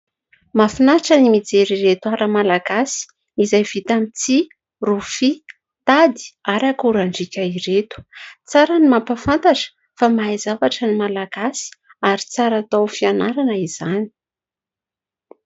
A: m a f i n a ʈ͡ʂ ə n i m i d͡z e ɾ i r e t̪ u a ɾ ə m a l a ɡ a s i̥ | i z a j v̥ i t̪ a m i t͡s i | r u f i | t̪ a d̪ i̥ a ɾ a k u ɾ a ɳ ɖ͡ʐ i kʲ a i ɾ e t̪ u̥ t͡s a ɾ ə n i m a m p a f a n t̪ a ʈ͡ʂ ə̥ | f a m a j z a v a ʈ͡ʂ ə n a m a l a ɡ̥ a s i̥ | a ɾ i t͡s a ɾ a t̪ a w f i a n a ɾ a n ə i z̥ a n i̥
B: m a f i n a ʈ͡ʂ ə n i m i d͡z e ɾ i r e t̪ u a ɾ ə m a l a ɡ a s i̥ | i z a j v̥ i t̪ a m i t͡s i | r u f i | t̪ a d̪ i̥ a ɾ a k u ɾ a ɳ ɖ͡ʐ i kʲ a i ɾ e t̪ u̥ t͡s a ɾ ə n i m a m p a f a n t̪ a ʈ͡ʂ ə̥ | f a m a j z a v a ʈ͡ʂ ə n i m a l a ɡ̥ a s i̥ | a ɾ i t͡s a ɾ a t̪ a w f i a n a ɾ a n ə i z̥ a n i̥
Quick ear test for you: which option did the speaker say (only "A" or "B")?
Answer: B